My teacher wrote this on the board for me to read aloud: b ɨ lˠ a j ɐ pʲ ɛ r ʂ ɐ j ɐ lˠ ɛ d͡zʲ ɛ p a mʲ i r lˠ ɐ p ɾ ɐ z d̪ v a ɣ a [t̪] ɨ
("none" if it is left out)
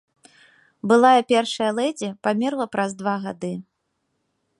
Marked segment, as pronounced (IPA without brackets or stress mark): d̪